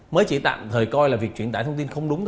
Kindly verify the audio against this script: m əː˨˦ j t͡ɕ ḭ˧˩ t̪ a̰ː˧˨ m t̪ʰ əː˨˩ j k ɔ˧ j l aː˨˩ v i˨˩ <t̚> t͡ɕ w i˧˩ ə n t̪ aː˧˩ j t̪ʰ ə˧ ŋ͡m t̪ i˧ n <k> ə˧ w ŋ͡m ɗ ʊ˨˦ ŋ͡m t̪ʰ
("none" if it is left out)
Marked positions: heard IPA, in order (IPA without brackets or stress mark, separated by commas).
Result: k̚, x